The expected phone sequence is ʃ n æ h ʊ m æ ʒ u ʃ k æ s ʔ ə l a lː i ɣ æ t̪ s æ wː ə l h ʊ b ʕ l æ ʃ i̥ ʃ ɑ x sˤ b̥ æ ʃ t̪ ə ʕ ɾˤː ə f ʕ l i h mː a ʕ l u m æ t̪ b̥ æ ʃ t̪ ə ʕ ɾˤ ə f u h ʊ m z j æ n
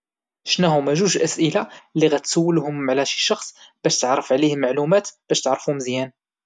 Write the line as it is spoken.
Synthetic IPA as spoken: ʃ n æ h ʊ m æ ʒ u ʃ ʔ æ s ʔ ə l a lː i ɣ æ t̪ s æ wː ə l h ʊ m ʕ l æ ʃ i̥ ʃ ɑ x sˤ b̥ æ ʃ t̪ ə ʕ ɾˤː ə f ʕ l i h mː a ʕ l u m æ t̪ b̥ æ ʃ t̪ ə ʕ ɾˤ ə f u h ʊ m z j æ n